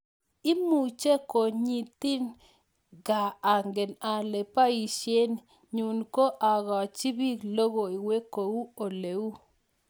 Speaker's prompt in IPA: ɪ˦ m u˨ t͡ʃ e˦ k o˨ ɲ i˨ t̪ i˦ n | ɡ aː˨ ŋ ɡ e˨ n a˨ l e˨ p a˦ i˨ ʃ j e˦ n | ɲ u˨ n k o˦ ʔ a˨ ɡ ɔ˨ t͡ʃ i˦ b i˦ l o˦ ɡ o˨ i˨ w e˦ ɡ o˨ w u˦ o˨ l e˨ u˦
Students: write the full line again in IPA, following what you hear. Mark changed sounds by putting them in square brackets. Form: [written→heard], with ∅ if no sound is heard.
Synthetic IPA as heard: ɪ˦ m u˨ t͡ʃ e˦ k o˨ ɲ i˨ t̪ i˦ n | ɡ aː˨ ŋ ɡ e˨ n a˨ l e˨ p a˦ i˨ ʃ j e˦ n | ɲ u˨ n k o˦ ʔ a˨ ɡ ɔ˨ t͡ʃ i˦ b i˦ l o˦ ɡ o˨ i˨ w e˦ [ɡ→k] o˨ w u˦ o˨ l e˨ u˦

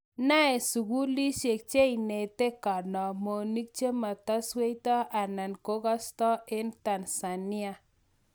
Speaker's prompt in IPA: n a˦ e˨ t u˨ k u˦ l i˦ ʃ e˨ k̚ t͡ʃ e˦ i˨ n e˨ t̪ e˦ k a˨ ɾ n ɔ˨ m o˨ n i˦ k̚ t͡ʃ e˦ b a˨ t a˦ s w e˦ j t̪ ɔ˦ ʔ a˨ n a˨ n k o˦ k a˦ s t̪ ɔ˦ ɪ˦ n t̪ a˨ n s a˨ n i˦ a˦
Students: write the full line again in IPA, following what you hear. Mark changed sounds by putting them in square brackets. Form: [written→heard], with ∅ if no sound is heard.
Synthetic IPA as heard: n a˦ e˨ [t→s] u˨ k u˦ l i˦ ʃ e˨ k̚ t͡ʃ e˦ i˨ n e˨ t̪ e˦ k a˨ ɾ n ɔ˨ m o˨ n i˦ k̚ t͡ʃ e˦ [b→m] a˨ t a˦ s w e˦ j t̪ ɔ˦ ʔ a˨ n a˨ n k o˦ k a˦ s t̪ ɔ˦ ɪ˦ n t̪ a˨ n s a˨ n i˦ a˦

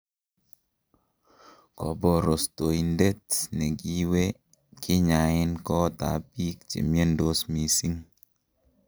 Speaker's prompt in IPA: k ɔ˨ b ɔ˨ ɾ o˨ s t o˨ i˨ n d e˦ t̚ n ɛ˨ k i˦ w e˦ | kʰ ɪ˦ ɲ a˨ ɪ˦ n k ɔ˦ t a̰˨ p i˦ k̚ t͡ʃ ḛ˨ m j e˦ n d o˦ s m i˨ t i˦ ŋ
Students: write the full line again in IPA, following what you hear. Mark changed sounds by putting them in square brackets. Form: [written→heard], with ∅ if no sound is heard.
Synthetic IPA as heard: k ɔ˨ b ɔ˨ ɾ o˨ s t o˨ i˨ n d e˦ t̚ n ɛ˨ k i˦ w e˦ | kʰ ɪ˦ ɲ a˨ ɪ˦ n k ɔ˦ t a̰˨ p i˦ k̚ t͡ʃ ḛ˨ m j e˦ n d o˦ s m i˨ [t→s] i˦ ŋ

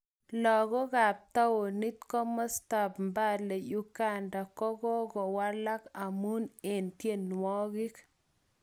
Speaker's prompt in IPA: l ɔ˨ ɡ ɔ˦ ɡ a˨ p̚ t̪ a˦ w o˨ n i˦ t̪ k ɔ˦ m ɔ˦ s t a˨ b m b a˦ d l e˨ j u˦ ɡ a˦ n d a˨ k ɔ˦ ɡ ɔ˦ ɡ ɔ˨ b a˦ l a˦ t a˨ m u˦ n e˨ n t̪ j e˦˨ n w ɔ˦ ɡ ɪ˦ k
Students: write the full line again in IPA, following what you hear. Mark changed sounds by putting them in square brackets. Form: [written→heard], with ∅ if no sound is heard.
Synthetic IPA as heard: l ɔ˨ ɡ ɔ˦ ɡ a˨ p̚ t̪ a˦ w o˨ n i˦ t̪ k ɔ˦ m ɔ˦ s t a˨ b m b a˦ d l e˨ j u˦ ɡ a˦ n d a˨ k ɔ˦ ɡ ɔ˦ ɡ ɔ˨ [b→w] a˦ l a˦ [t→k] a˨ m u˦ n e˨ n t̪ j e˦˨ n w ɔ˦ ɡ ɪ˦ k

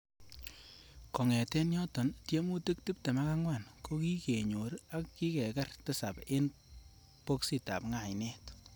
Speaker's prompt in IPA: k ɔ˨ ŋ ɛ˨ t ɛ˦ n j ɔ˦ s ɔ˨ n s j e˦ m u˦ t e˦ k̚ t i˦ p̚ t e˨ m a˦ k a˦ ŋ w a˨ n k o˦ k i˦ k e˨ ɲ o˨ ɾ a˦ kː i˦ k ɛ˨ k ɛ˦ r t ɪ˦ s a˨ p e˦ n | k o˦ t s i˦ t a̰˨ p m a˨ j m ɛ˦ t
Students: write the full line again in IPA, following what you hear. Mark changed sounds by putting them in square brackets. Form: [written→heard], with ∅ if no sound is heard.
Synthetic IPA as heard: k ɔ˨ ŋ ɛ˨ t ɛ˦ n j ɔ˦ [s→t] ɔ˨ n [s→t] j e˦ m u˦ t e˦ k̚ t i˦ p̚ t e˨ m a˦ k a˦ ŋ w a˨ n k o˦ k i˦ k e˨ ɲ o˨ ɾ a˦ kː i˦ k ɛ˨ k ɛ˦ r t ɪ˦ s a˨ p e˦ n | [k→p] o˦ [t→k] s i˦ t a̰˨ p [m→ŋ] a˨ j [m→n] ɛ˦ t

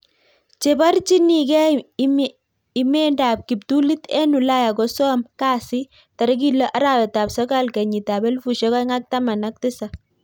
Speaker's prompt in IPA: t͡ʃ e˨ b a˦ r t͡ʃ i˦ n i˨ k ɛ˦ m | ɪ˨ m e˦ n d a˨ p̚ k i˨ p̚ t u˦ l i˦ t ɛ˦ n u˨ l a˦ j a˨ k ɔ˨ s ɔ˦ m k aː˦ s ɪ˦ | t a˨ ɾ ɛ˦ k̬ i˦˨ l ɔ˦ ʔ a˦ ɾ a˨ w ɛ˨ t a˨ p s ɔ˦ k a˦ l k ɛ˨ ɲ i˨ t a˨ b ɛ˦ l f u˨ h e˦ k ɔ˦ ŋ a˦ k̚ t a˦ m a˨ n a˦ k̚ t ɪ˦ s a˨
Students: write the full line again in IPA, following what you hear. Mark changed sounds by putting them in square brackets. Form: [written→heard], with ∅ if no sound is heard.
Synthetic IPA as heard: t͡ʃ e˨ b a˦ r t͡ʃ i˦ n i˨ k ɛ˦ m | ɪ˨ m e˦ n d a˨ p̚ k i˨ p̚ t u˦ l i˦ t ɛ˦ n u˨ l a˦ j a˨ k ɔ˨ s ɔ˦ m k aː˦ s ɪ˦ | t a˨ ɾ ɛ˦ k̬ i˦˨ l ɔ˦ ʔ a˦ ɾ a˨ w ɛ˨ t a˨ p s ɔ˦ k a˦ l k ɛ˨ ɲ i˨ t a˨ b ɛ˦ l f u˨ [h→ʃ] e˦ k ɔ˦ ŋ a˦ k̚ t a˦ m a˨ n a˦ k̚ t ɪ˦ s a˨

